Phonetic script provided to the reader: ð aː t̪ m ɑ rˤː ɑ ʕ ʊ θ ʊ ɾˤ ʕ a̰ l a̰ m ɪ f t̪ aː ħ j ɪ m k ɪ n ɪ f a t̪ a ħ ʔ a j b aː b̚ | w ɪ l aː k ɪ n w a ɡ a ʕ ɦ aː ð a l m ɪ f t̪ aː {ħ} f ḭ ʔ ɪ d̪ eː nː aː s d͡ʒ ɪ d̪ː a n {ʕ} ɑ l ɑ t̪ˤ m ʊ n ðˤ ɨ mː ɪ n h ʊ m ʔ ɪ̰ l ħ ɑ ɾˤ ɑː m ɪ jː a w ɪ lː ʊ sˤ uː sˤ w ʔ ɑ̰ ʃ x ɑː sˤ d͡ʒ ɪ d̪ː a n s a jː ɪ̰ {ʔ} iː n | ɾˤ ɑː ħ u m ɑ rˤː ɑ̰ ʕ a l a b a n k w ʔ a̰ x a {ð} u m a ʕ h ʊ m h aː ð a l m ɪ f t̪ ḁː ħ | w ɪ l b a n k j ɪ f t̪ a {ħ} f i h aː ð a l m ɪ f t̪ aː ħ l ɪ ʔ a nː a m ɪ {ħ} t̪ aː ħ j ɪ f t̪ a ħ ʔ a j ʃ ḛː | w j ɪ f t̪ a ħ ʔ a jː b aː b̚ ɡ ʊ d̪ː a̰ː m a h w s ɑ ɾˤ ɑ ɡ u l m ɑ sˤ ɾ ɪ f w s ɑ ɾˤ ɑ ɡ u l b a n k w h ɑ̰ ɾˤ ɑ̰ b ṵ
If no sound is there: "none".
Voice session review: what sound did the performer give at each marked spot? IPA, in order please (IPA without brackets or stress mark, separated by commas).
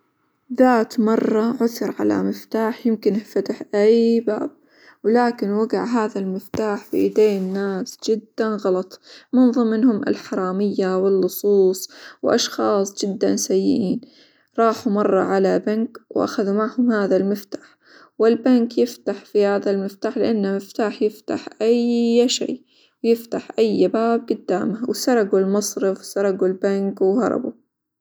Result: ħ, ɣ, ʔ, ð, ħ, f